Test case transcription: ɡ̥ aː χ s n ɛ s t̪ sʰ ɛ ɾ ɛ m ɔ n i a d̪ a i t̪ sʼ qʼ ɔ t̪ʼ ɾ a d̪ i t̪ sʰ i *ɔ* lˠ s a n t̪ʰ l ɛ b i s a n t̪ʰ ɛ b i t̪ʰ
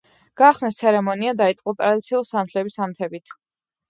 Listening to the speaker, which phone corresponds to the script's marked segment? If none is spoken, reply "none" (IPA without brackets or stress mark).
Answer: u